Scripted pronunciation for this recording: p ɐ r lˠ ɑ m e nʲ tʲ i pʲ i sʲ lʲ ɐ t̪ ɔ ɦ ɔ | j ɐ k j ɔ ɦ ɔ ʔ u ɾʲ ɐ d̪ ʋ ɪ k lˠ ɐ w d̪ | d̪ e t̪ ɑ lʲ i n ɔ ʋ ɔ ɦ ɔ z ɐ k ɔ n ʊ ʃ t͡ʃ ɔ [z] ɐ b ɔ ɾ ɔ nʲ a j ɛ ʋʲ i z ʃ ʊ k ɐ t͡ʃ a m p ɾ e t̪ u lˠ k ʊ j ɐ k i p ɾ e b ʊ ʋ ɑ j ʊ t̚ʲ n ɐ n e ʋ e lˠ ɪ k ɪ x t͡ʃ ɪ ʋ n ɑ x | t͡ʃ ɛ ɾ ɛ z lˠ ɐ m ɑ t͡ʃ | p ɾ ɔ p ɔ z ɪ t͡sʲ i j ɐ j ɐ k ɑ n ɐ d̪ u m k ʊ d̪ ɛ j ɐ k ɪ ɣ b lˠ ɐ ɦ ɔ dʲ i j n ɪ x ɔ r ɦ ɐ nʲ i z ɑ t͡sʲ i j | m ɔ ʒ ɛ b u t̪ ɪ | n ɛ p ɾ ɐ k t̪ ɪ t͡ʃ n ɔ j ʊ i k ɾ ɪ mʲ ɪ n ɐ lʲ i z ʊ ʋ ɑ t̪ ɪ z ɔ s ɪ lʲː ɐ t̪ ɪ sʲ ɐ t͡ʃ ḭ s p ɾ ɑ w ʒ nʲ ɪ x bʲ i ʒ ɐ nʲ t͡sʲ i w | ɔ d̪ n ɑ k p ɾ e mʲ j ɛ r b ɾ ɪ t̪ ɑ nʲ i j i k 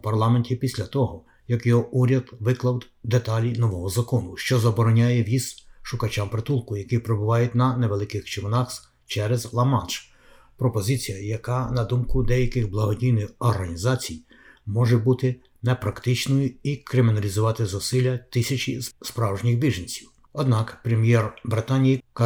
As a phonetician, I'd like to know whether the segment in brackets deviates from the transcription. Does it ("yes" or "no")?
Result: no